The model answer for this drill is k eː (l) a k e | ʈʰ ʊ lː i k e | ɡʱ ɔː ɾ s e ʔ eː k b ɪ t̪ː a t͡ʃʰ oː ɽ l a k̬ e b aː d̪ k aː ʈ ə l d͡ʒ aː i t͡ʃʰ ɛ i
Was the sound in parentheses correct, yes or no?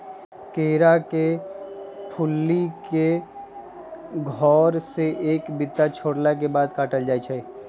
no